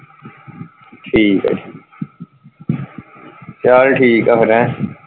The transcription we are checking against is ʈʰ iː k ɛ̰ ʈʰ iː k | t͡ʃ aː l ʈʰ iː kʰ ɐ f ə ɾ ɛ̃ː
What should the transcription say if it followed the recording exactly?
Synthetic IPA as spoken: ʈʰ iː k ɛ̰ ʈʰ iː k | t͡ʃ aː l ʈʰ iː k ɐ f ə ɾ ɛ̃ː